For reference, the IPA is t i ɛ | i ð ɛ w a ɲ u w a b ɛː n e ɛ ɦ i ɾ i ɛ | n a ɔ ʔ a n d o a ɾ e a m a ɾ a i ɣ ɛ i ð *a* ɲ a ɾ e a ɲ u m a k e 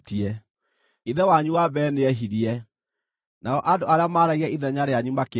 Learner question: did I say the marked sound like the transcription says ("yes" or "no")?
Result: no